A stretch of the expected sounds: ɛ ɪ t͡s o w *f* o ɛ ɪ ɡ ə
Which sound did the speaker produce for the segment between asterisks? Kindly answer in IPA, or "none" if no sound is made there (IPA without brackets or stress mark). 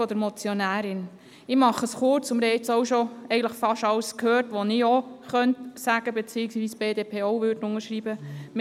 ʃ